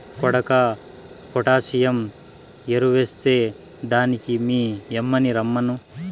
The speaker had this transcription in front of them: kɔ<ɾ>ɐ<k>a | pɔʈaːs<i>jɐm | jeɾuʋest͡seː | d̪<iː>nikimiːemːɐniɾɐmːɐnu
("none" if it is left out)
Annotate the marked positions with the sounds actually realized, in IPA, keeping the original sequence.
ɽ, k, i, aː

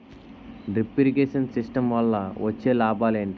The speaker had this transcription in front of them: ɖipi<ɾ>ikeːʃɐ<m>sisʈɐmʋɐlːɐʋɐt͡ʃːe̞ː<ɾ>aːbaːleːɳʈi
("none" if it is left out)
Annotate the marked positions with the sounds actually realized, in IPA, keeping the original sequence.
ɾ, n, l

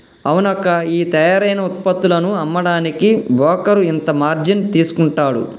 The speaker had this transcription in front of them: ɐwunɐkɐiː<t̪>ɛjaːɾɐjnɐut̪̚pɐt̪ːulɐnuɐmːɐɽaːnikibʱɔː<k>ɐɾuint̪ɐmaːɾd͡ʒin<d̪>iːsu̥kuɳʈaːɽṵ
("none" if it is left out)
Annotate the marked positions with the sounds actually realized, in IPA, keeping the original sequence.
t̪, k, t̪

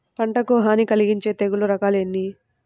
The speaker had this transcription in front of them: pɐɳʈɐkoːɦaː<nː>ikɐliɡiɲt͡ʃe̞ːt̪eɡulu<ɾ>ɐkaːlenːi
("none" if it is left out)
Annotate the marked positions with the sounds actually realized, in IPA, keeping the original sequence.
n, ɾ

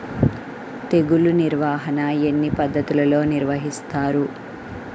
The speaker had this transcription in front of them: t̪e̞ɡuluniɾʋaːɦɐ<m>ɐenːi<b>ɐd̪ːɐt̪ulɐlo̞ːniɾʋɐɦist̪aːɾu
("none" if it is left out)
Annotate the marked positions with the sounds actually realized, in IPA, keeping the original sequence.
n, p

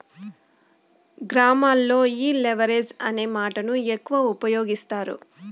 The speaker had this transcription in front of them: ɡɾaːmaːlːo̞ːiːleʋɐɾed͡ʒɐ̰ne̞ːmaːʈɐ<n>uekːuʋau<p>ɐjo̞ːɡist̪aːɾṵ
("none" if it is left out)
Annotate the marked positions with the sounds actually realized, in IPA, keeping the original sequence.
n, p

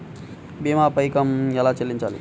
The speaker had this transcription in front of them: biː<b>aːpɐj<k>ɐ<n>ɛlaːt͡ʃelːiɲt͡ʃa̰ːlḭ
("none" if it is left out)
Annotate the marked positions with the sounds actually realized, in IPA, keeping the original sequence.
m, k, m

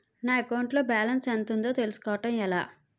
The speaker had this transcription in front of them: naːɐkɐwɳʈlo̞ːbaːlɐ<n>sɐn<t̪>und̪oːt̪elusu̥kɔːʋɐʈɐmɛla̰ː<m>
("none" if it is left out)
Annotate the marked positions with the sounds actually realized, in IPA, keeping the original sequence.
n, t̪, none

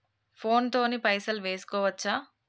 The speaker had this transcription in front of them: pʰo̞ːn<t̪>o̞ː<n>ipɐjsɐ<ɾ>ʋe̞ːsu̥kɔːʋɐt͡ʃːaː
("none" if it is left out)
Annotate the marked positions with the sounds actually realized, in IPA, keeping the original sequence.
t̪, n, l

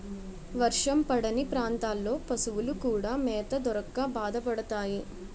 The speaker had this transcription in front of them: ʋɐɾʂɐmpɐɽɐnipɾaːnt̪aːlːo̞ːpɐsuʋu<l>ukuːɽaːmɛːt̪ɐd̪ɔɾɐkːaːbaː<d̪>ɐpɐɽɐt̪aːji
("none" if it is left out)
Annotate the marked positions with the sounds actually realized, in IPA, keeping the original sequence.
l, d̪

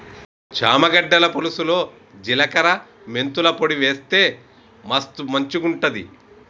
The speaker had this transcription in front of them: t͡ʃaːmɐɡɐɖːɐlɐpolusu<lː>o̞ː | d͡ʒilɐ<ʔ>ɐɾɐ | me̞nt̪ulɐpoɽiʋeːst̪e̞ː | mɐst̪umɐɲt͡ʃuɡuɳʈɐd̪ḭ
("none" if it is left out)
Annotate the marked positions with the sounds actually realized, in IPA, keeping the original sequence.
l, k

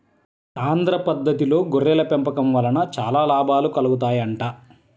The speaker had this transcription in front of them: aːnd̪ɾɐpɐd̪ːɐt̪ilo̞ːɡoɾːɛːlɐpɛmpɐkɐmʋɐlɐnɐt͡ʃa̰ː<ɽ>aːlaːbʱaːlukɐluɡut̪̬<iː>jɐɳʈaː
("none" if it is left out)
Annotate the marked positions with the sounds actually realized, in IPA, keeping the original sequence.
l, aː

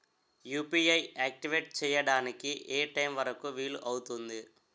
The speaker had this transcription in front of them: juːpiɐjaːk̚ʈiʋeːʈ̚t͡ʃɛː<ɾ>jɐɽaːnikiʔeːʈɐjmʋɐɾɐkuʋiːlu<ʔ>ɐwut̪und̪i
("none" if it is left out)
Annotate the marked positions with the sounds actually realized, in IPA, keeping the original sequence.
none, ʔ

